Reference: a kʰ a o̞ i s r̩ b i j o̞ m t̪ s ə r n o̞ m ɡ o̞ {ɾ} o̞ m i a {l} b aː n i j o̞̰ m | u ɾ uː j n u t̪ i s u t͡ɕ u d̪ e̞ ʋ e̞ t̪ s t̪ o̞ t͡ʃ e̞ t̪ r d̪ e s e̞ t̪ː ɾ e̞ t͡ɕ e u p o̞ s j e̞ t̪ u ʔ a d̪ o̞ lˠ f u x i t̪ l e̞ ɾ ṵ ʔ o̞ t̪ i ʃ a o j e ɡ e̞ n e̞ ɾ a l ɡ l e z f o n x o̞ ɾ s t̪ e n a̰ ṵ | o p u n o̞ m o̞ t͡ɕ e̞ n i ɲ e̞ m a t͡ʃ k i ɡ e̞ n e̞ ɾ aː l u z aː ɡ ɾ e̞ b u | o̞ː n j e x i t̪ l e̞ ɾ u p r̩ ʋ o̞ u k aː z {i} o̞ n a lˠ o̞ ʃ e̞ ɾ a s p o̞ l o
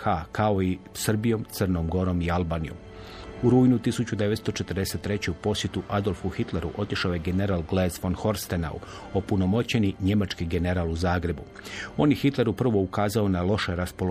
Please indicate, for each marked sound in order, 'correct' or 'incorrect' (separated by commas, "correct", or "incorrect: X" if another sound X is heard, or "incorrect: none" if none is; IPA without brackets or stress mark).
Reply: correct, correct, incorrect: a